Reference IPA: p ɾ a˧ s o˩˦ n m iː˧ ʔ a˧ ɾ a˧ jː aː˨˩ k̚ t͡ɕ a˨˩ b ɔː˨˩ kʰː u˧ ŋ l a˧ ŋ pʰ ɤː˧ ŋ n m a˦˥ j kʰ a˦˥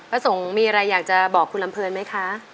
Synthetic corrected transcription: p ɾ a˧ s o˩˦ ŋ m iː˧ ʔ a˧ ɾ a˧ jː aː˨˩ k̚ t͡ɕ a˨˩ b ɔː˨˩ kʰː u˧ n l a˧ m pʰ ɤː˧ n m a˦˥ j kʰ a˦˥

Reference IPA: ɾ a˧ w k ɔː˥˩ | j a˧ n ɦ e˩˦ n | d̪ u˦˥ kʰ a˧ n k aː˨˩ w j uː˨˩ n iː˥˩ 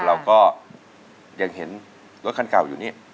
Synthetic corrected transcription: ɾ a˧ w k ɔː˥˩ | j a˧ ŋ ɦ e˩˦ n | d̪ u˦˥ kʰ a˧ n k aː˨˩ w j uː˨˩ n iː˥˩

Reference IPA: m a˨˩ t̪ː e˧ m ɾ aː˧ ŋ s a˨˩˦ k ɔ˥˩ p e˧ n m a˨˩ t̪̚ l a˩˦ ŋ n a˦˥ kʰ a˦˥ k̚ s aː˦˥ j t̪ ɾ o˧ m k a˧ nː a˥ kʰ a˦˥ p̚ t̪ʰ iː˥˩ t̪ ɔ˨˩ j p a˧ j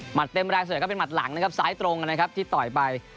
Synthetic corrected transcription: m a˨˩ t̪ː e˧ m ɾ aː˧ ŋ s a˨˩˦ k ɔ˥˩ p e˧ n m a˨˩ t̪̚ l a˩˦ ŋ n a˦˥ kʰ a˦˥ p̚ s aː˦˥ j t̪ ɾ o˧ ŋ k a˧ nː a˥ kʰ a˦˥ p̚ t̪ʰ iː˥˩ t̪ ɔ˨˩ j p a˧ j

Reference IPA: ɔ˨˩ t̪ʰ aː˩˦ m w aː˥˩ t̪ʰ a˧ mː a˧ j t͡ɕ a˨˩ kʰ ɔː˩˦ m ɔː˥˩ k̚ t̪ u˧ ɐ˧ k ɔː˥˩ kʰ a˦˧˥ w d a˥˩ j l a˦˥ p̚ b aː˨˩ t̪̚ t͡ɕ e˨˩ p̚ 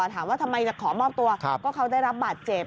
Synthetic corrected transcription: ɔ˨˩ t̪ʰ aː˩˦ m w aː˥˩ t̪ʰ a˧ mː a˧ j t͡ɕ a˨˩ kʰ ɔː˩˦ m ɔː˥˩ p̚ t̪ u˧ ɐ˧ k ɔː˥˩ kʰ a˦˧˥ w d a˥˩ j ɾ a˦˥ p̚ b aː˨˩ t̪̚ t͡ɕ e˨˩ p̚

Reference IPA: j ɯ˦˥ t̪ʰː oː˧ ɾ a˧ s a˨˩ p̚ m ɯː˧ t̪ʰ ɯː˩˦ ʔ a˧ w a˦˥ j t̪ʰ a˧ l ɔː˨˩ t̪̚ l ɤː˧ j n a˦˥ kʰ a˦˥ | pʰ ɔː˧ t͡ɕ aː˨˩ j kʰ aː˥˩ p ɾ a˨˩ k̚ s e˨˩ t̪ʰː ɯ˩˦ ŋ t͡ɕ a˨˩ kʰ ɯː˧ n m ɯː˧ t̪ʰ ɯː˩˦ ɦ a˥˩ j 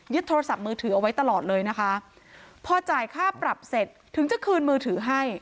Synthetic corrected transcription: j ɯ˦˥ t̪ʰː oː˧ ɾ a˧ s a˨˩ p̚ m ɯː˧ t̪ʰ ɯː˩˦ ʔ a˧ w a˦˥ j t̪ a˧ l ɔː˨˩ t̪̚ l ɤː˧ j n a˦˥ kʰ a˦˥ | pʰ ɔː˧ t͡ɕ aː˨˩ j kʰ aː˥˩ p ɾ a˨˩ p̚ s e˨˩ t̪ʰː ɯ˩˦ ŋ t͡ɕ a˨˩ kʰ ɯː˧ n m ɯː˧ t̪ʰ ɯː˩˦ ɦ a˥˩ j

